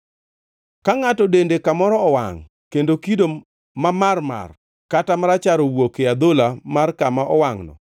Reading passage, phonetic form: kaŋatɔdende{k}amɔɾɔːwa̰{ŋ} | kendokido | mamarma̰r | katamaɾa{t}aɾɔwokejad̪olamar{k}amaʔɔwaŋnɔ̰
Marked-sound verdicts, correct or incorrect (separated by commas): correct, correct, incorrect, correct